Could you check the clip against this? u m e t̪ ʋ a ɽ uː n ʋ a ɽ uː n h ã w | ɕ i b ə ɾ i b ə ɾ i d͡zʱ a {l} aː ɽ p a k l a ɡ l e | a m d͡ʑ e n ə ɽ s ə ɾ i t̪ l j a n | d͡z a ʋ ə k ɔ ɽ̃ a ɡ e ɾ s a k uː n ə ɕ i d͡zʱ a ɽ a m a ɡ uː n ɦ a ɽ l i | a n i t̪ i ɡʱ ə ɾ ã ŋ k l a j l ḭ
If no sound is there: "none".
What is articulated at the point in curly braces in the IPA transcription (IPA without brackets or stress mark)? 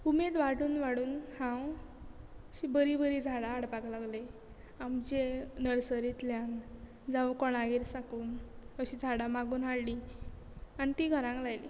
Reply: ɽ